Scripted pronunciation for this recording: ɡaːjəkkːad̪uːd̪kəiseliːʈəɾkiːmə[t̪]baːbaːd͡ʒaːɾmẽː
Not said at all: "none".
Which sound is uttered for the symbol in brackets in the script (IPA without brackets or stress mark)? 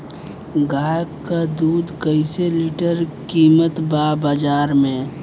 t̪